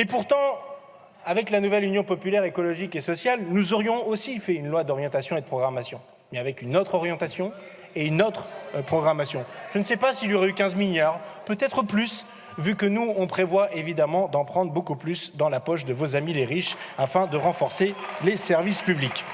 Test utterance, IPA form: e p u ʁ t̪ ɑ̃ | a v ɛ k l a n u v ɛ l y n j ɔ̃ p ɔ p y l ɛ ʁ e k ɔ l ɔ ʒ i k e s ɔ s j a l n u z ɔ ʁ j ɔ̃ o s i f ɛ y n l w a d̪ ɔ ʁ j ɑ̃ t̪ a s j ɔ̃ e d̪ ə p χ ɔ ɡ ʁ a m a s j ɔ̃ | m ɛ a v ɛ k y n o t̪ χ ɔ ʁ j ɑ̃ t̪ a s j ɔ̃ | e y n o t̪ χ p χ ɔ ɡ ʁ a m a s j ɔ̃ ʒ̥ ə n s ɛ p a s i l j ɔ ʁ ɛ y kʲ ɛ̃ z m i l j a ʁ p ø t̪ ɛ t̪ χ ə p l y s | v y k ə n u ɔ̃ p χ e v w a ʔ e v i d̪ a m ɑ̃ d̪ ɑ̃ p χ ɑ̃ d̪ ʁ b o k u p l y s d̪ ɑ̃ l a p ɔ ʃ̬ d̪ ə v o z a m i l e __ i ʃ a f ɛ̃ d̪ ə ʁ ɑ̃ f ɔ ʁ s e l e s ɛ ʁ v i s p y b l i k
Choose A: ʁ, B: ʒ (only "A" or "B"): A